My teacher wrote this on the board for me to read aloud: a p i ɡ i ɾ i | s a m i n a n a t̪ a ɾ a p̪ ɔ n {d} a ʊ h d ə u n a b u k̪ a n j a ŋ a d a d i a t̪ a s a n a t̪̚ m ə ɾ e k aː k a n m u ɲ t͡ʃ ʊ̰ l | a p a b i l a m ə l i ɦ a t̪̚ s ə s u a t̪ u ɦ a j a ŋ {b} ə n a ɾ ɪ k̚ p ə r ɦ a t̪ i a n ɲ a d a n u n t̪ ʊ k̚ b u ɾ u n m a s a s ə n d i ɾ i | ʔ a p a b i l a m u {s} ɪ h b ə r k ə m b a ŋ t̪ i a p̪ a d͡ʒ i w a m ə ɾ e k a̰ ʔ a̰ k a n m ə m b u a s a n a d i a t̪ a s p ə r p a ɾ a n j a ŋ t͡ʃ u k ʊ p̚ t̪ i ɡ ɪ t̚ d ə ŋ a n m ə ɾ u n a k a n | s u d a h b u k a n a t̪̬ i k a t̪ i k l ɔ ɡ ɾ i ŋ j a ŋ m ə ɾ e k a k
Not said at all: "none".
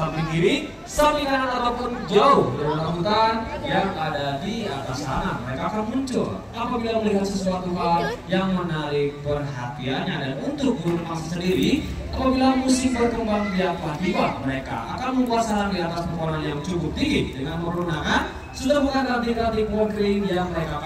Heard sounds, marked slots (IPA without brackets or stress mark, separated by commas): d͡ʒ, m, s